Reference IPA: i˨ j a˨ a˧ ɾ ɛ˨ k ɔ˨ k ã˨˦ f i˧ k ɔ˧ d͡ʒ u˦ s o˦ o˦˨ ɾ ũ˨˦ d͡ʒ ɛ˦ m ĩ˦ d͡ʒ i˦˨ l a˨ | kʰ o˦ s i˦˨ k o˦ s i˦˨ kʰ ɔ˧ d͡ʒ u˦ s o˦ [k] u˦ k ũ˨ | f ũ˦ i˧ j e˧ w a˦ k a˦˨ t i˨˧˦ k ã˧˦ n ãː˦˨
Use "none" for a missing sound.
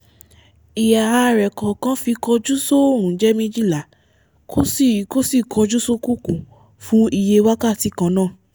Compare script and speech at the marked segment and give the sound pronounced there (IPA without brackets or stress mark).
k